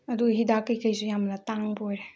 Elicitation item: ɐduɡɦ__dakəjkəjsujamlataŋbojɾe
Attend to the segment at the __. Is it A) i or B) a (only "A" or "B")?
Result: A